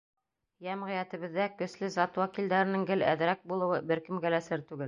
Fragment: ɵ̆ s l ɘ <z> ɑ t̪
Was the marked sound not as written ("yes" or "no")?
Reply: no